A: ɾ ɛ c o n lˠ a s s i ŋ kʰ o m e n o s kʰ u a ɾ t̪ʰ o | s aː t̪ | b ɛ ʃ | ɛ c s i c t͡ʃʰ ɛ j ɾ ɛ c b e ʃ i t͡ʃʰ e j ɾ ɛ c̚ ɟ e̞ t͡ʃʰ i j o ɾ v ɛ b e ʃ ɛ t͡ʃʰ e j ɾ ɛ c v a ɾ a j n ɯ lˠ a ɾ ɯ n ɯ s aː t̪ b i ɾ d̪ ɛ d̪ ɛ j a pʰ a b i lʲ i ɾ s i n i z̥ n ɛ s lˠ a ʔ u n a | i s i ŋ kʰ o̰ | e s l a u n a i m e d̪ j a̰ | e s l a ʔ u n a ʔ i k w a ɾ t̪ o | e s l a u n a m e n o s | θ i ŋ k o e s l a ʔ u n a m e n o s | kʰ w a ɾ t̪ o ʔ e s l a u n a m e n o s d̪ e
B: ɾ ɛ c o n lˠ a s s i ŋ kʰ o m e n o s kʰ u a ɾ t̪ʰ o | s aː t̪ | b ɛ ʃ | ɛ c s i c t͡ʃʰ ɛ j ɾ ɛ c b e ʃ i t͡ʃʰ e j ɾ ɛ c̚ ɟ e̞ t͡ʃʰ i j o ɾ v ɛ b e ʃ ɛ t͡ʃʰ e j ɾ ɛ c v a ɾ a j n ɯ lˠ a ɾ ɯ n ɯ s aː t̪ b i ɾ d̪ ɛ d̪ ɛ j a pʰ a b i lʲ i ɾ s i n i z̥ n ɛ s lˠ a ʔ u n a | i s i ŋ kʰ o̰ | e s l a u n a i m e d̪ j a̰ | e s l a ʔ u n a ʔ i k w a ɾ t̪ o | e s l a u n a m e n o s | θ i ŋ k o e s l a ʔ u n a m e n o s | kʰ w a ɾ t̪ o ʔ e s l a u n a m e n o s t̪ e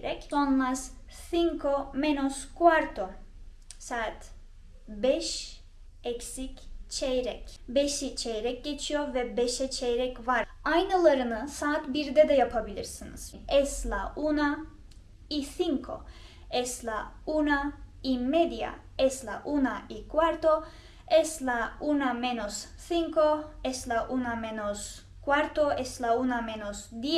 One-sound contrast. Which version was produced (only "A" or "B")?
A